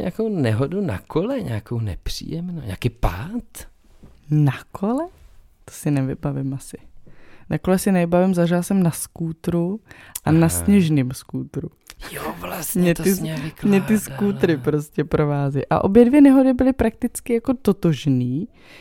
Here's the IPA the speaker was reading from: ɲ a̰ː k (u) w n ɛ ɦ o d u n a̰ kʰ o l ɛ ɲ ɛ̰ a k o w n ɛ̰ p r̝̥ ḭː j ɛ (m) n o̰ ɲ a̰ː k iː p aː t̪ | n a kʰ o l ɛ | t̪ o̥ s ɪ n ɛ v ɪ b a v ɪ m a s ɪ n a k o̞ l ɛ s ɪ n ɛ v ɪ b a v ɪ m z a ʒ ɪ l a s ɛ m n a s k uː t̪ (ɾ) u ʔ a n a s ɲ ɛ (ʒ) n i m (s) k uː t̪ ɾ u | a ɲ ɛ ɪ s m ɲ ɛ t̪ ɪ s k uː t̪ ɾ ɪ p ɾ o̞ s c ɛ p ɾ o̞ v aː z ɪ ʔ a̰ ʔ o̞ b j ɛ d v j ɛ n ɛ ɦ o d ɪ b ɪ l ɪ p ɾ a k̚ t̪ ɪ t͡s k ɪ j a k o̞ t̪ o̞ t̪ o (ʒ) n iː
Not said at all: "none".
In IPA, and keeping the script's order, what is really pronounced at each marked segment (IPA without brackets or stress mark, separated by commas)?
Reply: o, m, ɾ, ʒ, s, ʒ